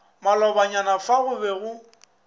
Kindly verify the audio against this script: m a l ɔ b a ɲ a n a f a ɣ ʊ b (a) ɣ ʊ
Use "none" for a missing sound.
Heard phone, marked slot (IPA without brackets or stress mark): ɛ